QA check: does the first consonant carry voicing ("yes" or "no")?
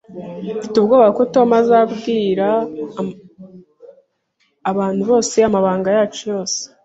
no